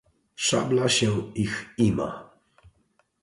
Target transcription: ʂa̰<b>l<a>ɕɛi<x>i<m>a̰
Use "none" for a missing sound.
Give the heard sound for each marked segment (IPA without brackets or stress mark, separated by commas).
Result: b, a, x, m